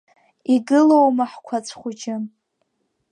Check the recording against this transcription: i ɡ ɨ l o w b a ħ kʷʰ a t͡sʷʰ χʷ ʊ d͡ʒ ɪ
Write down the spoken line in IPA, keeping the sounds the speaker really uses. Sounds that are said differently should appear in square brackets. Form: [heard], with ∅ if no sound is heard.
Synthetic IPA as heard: i ɡ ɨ l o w [m] a ħ kʷʰ a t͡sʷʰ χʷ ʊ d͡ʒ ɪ